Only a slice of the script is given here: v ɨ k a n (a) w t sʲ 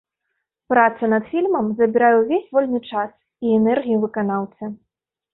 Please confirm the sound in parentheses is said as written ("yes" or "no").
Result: yes